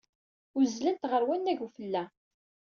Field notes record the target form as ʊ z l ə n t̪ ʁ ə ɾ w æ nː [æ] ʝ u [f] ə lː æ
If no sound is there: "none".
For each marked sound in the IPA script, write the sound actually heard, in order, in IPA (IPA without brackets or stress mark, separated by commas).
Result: æ, f